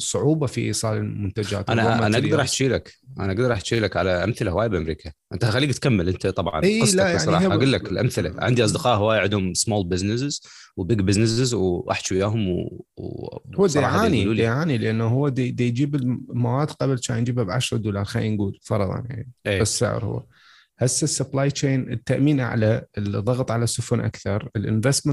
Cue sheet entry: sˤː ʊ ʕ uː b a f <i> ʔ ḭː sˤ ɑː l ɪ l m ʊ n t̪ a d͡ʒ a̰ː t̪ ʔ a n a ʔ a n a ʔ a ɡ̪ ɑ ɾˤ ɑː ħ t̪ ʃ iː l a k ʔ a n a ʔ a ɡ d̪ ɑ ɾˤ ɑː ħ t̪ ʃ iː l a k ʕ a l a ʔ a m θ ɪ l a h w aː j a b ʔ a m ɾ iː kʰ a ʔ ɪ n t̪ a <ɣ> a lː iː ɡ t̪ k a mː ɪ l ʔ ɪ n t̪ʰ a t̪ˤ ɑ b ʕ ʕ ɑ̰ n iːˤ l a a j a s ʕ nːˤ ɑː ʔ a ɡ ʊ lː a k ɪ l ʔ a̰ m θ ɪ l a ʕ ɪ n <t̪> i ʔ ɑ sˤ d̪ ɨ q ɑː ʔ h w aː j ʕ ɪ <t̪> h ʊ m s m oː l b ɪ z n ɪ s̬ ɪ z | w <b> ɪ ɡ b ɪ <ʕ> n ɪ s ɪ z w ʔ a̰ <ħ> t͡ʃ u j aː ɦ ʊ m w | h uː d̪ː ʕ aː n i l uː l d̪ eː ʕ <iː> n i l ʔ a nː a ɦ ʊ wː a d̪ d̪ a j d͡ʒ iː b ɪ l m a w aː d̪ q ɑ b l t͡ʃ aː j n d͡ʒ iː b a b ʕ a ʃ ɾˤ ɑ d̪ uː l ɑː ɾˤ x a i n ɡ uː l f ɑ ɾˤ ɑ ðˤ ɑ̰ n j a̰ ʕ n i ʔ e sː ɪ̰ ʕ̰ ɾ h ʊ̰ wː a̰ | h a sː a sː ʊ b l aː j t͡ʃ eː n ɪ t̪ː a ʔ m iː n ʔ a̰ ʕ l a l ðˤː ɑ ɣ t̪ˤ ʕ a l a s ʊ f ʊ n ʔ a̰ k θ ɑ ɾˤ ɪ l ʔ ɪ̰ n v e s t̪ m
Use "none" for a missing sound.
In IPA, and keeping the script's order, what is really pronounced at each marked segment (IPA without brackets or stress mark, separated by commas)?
i, x, d̪, d̪, b, z, ħ, aː